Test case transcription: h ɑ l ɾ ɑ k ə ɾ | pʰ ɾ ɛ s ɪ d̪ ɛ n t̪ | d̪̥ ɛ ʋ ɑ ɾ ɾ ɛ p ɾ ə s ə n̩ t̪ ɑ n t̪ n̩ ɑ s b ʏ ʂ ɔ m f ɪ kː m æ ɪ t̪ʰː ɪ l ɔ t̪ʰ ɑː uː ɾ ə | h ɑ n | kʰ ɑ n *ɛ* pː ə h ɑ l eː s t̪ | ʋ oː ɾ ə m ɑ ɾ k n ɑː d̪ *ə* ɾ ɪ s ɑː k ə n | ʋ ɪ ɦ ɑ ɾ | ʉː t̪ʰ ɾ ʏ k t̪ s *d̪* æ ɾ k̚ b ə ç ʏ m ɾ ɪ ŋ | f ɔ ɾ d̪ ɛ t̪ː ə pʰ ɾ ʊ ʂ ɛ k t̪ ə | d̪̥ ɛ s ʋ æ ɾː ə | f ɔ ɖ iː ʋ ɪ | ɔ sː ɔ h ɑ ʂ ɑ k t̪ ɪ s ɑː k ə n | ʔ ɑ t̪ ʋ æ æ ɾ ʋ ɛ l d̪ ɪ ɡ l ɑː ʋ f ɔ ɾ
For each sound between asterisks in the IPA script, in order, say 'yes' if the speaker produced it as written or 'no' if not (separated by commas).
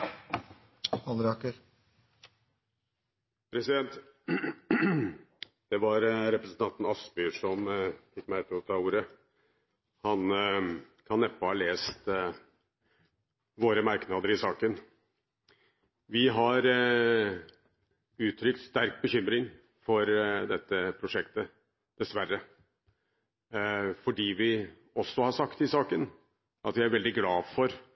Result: yes, yes, no